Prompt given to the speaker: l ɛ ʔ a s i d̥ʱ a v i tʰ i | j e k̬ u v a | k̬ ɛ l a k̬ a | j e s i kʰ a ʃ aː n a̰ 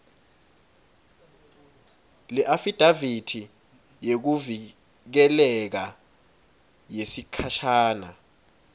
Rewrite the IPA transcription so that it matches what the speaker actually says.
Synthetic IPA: l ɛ ʔ a f i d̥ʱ a v i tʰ i | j e k̬ u v i | k̬ ɛ l ɛ k̬ a | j e s i kʰ a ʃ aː n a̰